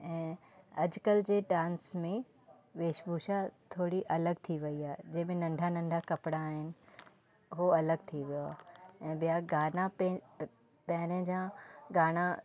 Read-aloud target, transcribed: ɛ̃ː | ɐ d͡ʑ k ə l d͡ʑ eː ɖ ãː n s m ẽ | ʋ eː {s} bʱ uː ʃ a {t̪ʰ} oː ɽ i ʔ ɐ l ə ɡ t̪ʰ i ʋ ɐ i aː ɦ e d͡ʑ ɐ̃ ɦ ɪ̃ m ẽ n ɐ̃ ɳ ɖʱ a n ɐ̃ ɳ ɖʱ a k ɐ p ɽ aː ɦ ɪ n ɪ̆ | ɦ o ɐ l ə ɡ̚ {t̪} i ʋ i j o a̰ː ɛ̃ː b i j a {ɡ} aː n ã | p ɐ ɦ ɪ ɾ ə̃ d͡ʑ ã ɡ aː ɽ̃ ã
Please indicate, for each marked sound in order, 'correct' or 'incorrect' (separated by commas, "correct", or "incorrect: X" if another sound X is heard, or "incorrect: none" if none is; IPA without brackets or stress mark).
incorrect: ʃ, correct, incorrect: t̪ʰ, correct